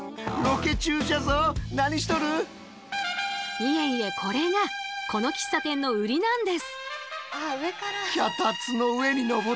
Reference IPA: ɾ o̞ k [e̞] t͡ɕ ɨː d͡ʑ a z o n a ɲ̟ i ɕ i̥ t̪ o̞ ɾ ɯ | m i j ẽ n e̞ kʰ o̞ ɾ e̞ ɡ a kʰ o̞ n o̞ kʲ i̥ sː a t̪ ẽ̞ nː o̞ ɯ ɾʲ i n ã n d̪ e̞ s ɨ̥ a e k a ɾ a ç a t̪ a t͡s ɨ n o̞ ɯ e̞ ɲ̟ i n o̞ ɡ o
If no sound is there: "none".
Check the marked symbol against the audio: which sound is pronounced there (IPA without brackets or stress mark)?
e̞